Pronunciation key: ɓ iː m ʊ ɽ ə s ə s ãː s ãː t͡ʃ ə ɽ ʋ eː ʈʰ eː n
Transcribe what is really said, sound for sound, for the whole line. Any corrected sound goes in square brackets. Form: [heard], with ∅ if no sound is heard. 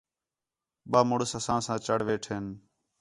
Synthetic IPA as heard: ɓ [aː] m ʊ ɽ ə s ə s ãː s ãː t͡ʃ ə ɽ ʋ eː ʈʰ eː n